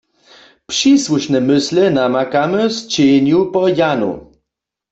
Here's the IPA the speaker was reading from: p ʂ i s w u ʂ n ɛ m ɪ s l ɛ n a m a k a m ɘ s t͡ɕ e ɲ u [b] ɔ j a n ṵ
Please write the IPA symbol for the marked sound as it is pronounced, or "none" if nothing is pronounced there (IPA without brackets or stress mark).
p